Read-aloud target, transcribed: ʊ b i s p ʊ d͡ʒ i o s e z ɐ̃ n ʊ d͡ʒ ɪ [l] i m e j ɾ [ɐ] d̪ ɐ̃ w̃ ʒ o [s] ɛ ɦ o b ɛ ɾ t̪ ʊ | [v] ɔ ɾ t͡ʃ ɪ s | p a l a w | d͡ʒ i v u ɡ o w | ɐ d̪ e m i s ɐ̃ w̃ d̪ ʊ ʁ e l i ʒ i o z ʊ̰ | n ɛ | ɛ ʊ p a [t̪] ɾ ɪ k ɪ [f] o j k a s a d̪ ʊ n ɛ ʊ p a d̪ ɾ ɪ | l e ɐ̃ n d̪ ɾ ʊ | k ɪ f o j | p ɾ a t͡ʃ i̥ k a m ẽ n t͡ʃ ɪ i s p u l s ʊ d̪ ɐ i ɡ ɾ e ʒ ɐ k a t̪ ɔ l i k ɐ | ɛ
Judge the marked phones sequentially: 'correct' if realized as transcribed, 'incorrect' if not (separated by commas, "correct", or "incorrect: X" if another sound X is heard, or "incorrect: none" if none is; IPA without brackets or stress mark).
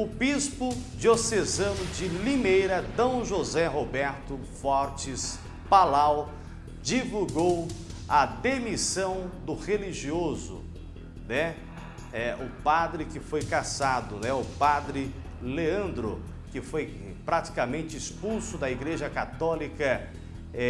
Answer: correct, correct, incorrect: z, incorrect: f, incorrect: d̪, correct